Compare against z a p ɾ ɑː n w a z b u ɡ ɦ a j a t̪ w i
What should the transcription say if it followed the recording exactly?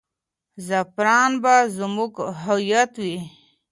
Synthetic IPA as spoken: z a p ɾ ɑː n b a z m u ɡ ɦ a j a t̪ w i